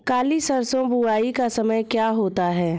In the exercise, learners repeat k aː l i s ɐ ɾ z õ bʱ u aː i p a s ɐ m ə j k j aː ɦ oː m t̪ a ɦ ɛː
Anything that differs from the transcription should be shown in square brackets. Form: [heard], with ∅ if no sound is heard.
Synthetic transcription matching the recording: k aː l i s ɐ ɾ [s] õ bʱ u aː i [k] a s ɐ m ə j k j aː ɦ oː [∅] t̪ a ɦ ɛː